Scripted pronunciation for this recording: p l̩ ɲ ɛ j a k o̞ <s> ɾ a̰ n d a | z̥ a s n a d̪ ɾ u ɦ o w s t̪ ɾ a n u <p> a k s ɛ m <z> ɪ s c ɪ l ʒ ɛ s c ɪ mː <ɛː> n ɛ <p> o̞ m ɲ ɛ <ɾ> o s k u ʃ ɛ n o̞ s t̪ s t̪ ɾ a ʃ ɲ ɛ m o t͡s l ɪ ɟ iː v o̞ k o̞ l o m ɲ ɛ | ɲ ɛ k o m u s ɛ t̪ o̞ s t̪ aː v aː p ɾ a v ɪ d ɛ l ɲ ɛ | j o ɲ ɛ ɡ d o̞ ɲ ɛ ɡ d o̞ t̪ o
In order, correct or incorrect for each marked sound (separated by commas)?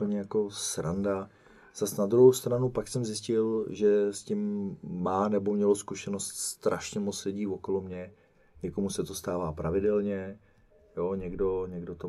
correct, correct, correct, incorrect, incorrect, incorrect